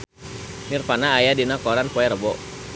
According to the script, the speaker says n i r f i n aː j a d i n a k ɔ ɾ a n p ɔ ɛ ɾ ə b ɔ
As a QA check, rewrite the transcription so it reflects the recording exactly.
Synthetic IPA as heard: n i r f a n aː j a d i n a k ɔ ɾ a n p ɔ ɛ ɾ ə b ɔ